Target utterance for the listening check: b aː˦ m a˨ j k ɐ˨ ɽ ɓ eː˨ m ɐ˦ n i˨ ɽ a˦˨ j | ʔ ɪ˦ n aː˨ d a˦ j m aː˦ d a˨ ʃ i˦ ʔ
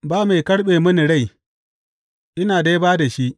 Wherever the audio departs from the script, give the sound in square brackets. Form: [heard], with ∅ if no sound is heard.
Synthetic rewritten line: b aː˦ m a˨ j k [ɐ˦] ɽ ɓ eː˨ m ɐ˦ n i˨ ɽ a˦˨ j | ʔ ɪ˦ n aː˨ d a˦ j [b] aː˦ d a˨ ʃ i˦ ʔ